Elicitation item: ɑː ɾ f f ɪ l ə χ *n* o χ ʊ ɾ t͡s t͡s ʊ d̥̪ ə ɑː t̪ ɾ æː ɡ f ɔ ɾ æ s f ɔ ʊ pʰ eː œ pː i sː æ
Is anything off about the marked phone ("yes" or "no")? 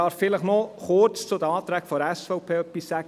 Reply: no